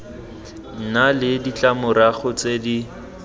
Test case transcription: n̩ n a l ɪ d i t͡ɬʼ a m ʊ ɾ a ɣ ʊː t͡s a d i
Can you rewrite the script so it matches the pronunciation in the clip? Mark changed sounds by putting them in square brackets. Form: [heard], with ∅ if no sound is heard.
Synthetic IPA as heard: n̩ n a l ɪ d i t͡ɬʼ a m ʊ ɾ a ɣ [ʊ] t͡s [e] d i